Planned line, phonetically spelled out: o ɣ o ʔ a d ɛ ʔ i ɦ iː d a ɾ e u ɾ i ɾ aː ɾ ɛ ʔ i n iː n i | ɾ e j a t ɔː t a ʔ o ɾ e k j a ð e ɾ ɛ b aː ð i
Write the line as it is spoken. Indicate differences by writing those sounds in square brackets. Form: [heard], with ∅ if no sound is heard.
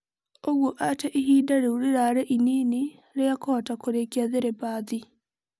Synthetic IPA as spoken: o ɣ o ʔ a [t] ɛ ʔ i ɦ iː d a ɾ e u ɾ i ɾ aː ɾ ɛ ʔ i n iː n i | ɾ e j a [k] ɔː t a [k] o ɾ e k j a ð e ɾ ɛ b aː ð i